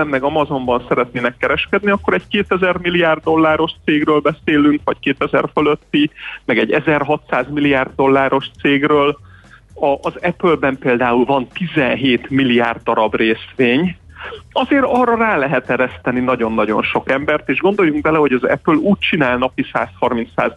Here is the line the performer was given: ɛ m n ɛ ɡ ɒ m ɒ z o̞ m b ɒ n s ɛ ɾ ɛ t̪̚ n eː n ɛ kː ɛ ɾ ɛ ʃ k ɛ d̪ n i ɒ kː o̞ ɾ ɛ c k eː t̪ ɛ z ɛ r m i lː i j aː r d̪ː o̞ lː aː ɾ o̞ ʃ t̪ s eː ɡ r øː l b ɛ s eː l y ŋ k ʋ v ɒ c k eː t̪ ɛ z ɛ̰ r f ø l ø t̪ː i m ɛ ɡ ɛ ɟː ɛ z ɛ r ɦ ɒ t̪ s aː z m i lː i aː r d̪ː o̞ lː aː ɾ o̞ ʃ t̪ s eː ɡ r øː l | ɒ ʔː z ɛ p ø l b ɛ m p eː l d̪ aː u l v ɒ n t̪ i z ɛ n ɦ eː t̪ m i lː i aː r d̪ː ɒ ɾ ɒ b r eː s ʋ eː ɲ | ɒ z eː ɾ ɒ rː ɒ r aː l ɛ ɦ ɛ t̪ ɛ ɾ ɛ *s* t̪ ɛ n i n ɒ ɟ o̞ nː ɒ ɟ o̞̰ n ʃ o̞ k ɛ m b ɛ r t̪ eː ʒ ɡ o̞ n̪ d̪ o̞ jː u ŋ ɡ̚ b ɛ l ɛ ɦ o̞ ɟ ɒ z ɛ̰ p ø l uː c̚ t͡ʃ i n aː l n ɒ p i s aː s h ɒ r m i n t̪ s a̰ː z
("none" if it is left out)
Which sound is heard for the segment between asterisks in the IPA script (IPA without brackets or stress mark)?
s